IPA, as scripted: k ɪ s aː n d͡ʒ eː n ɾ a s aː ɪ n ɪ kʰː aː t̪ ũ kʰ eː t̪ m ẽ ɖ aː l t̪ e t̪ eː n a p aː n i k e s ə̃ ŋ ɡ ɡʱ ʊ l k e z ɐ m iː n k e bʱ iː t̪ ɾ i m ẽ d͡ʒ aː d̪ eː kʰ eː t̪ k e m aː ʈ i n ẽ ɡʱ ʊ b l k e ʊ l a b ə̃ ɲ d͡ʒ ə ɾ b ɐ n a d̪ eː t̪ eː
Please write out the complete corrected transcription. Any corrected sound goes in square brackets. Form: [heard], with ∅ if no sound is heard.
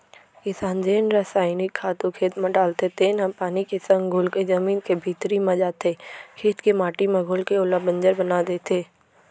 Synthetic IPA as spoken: k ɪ s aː n d͡ʒ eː n ɾ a s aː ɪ n ɪ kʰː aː t̪ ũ kʰ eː t̪ m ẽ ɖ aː l t̪ e t̪ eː n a p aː n i k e s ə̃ ŋ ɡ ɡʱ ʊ l k e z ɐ m iː n k e bʱ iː t̪ ɾ i m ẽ d͡ʒ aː [t̪] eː kʰ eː t̪ k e m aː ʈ i [m] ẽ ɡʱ ʊ [∅] l k e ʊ l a b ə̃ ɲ d͡ʒ ə ɾ b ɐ n a d̪ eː t̪ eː